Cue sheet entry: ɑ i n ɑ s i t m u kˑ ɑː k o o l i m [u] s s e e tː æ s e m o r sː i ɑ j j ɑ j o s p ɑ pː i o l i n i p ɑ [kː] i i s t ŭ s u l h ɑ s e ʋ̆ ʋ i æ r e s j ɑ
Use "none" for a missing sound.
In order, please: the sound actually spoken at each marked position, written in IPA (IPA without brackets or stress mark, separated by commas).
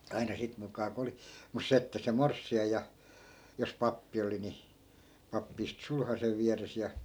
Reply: u, pː